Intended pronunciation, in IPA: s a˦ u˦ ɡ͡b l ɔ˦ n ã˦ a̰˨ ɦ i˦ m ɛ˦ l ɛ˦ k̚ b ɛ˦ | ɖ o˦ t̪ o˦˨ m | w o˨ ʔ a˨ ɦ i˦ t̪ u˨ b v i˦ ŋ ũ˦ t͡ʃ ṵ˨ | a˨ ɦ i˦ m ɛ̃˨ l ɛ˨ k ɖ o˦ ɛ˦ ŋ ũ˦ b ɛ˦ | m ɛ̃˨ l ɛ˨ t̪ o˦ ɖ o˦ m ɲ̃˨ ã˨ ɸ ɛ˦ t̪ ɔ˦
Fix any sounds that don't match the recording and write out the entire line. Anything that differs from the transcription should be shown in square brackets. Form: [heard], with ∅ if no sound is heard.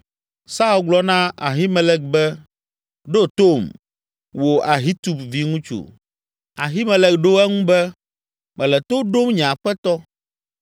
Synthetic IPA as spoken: s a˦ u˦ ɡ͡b l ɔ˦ n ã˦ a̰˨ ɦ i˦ m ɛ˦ l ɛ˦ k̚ b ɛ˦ | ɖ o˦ t̪ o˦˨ m | w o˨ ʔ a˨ ɦ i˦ t̪ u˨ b v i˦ ŋ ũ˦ t͡ʃ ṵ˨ | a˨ ɦ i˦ m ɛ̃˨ l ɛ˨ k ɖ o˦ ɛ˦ ŋ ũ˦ b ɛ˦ | m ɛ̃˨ l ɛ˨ t̪ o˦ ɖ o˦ m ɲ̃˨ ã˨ ɸ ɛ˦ t̪ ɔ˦